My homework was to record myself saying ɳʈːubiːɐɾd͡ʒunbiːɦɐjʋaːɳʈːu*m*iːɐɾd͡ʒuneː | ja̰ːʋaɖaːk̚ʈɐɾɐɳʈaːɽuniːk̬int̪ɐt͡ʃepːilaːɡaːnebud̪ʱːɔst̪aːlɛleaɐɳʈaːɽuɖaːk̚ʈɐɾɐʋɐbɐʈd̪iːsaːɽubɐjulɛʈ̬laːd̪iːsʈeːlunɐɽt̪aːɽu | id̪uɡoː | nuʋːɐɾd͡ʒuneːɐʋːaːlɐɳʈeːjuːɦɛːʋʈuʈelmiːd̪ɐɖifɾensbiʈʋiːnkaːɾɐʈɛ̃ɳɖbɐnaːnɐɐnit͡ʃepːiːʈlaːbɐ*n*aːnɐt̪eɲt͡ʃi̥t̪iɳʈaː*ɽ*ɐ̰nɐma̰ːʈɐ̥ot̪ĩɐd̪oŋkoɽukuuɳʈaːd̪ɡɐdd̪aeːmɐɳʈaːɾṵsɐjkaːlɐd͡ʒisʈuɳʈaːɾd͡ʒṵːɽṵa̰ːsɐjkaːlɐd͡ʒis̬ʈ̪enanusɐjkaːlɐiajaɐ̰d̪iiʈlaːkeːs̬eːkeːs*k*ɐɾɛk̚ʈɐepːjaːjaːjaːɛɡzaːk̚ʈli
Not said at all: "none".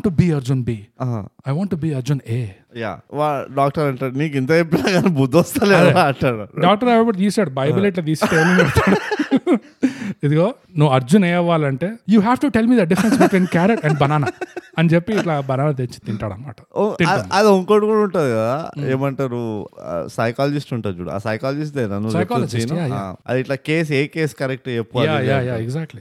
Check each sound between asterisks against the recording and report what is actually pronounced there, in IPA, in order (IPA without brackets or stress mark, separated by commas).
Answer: b, n, ɽ, k